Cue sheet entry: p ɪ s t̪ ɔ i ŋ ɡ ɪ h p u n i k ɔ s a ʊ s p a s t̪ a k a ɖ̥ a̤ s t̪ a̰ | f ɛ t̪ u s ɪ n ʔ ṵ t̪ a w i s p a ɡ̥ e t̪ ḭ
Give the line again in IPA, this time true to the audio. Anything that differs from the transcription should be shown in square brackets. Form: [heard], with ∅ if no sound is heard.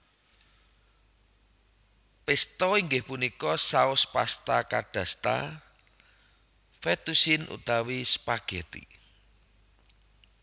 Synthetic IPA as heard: p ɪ s t̪ ɔ i ŋ ɡ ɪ h p u n i k ɔ s a ʊ s p a s t̪ a k a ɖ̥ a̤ s t̪ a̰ | f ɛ t̪ u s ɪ n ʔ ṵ t̪ a w i s p a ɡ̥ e t̪ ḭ